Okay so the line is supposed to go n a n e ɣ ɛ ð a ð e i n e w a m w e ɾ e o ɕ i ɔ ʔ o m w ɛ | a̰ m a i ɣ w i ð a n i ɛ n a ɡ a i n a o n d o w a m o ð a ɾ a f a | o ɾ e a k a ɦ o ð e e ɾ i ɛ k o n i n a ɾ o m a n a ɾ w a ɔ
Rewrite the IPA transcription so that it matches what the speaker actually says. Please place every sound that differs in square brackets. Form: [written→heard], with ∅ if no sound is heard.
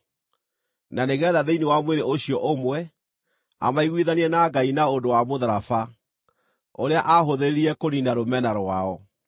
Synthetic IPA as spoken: n a n e ɣ ɛ ð a ð e i n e w a m w e ɾ e o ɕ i ɔ ʔ o m w ɛ | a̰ m a i ɣ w i ð a n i ɛ n a ɡ a i n a o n d o w a m o ð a ɾ a f a | o ɾ e a [k→ʔ] a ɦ o ð e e ɾ i ɛ k o n i n a ɾ o m [a→ɛ] n a ɾ w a ɔ